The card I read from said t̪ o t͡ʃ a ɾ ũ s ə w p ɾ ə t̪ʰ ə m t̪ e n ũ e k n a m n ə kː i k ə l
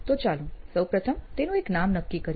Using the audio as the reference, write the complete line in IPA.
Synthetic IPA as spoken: t̪ o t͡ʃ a l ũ s ə w p ɾ ə t̪ʰ ə m t̪ e n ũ e k n a m n ə kː i k ə ɾ